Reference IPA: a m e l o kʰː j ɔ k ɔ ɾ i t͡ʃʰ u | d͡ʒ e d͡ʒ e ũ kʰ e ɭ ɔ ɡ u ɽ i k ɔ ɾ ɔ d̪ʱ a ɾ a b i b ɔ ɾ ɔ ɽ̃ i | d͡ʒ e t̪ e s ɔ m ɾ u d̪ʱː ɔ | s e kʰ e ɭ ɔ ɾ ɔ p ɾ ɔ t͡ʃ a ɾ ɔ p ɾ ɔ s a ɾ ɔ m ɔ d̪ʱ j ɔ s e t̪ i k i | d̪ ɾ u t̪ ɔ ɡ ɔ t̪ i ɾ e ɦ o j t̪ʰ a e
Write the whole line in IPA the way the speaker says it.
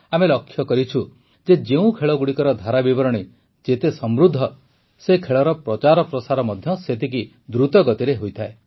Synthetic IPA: a m e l ɔ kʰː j ɔ k ɔ ɾ i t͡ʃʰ u | d͡ʒ e d͡ʒ e ũ kʰ e ɭ ɔ ɡ u ɽ i k ɔ ɾ ɔ d̪ʱ a ɾ a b i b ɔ ɾ ɔ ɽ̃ i | d͡ʒ e t̪ e s ɔ m ɾ u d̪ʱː ɔ | s e kʰ e ɭ ɔ ɾ ɔ p ɾ ɔ t͡ʃ a ɾ ɔ p ɾ ɔ s a ɾ ɔ m ɔ d̪ʱ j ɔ s e t̪ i k i | d̪ ɾ u t̪ ɔ ɡ ɔ t̪ i ɾ e ɦ o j t̪ʰ a e